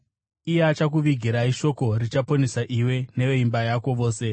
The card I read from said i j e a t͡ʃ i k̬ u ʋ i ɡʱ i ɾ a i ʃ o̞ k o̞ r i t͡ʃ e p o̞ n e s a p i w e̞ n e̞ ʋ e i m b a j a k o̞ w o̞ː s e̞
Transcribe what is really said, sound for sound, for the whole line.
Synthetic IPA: i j e a t͡ʃ a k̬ u ʋ i ɡʱ i ɾ a i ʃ o̞ k o̞ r i t͡ʃ a p o̞ n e s a ʔ i w e̞ n e̞ ʋ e i m b a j a k o̞ ʋ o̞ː s e̞